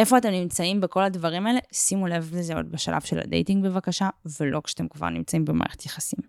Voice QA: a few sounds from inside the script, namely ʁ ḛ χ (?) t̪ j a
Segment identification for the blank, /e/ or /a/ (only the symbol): e